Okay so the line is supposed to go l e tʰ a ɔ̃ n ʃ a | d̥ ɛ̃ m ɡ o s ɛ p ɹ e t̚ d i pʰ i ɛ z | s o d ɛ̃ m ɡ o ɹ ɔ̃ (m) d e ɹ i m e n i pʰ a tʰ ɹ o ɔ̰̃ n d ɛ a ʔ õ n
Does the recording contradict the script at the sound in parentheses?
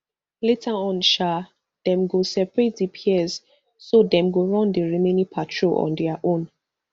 yes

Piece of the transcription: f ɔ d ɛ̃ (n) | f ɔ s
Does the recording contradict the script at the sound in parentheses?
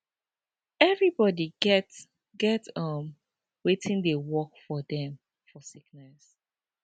yes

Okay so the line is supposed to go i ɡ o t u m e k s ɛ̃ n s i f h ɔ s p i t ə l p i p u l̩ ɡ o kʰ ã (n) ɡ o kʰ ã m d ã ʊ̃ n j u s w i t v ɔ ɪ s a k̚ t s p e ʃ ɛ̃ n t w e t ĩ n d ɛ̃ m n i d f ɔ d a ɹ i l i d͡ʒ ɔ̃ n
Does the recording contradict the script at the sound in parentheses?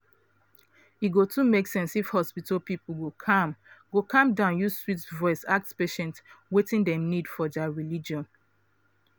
yes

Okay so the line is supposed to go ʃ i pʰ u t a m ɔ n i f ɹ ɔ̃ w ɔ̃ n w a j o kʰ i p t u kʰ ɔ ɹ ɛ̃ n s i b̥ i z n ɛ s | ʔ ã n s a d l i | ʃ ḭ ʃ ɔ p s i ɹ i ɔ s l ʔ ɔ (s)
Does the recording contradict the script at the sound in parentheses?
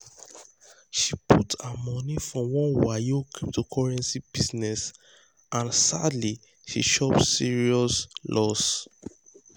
no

